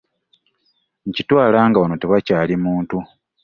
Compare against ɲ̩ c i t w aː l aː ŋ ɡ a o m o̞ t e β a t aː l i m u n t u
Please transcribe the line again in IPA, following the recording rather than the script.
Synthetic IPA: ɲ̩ c i t w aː l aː ŋ ɡ a o n o̞ t e β a c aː l i m uː n t u